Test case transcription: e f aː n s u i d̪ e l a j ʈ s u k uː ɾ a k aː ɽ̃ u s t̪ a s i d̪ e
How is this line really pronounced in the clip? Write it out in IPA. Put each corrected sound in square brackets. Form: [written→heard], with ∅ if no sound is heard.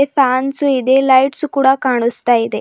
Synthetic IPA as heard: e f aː n s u i d̪ e l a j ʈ s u k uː [ɾ→ɽ] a k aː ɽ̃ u s t̪ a [s→∅] i d̪ e